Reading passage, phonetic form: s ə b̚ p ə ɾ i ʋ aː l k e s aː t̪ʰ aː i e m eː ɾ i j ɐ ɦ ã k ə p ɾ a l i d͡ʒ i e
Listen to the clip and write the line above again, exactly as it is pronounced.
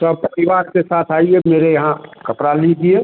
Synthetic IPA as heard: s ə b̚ p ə ɾ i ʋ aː ɾ k e s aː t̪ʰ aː i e m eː ɾ e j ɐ ɦ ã k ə p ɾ a l i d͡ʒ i e